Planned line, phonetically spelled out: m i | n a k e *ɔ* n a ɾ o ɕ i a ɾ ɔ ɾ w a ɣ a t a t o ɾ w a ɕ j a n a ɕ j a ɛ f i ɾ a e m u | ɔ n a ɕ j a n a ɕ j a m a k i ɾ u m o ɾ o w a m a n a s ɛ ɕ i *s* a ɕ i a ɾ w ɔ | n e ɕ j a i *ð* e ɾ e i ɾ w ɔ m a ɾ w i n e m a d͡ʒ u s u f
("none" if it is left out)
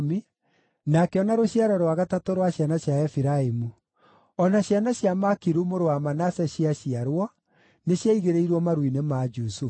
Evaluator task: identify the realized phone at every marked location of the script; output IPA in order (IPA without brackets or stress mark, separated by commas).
ɔ, none, ɣ